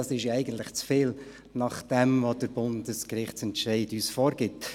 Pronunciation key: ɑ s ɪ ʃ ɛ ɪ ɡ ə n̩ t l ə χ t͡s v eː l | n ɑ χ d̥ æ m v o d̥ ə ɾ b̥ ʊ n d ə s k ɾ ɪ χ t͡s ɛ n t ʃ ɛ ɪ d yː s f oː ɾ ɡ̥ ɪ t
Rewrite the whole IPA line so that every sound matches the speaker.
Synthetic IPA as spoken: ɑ s ɪ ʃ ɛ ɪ ɡ ə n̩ t l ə χ t͡s f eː l | n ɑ χ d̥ ɛ m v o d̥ ə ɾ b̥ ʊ n d ə s k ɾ ɪ χ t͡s ɛ n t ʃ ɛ ɪ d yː s f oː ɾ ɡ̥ ɪ t